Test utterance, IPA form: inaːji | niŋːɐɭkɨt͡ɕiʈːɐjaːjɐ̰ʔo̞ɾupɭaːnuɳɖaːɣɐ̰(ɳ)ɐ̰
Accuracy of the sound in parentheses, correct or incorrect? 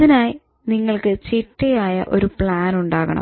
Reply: correct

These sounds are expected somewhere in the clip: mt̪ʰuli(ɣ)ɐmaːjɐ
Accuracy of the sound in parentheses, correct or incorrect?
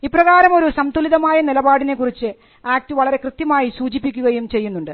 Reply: incorrect: ð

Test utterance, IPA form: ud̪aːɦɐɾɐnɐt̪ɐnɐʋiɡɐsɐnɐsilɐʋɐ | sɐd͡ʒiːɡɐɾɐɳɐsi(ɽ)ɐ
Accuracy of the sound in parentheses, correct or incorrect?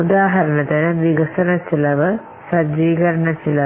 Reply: incorrect: l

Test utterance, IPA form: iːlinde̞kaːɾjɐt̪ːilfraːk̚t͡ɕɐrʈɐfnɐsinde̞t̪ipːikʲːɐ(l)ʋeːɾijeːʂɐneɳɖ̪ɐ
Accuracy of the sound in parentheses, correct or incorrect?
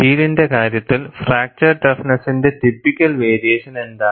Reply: correct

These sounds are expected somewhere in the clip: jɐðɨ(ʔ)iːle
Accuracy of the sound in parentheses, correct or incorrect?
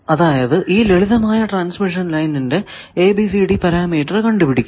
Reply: correct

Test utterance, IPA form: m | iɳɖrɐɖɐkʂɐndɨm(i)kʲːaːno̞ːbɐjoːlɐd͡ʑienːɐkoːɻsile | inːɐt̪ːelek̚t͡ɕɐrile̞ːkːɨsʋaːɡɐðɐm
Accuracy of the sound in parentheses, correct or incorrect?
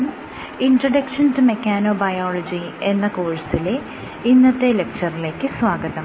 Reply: incorrect: e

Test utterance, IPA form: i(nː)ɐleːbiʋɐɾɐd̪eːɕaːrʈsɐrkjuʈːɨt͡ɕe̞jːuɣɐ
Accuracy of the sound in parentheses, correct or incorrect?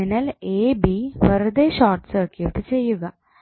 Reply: incorrect: n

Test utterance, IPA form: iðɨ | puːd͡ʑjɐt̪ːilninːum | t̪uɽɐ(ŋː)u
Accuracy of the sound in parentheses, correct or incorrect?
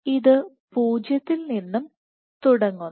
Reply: correct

